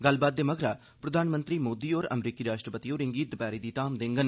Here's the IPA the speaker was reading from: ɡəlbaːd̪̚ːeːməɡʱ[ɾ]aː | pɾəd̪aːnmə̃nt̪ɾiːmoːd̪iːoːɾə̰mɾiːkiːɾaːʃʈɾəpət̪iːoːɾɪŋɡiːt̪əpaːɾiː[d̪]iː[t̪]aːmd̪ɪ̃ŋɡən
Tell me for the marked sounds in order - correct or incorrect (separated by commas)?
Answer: correct, correct, correct